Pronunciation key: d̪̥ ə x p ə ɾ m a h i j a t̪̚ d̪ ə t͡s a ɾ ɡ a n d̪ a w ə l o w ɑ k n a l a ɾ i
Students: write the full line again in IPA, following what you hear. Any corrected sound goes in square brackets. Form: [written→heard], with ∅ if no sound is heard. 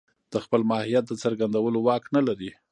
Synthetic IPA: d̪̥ ə x p ə [ɾ→l] m [a→ɑ] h i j a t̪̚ d̪ ə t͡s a ɾ ɡ a n d̪ a w ə l o w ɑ k n a l a ɾ i

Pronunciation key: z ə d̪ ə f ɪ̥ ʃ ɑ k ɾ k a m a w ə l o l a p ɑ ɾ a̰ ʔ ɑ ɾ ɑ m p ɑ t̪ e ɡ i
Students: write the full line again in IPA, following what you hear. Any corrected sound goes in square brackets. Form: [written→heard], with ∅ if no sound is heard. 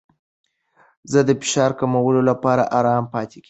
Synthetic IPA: z ə d̪ ə f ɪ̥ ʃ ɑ [k→∅] ɾ k a m a w ə l o l a p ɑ ɾ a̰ ʔ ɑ ɾ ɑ m p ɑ t̪ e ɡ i

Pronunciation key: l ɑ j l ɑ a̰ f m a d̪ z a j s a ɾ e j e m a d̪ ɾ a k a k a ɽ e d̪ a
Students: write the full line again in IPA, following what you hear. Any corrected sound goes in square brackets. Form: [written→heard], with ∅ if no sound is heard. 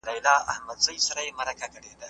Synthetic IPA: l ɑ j l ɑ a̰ [f→h] m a d̪ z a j s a ɾ [e→a] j e m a [d̪→∅] ɾ a k a k [a→ə] ɽ e d̪ a

